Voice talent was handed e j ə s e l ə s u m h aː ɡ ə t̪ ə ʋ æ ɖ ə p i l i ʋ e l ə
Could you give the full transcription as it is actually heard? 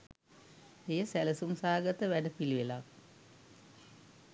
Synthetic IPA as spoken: e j ə s æ l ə s u m s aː ɡ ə t̪ ə ʋ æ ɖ ə p i l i ʋ e l a